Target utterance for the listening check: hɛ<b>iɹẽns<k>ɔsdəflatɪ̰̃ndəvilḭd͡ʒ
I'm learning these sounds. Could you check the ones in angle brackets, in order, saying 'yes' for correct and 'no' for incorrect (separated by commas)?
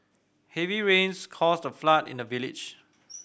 no, no